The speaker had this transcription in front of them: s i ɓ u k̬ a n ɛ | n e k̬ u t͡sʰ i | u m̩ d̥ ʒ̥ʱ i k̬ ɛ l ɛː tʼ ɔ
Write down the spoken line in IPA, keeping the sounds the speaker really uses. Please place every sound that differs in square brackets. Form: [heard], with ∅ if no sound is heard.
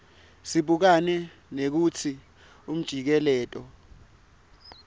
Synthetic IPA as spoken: s i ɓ u k̬ a n ɛ | n e k̬ u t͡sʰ i | u m̩ d̥ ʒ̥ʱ i k̬ ɛ l ɛː tʼ ɔ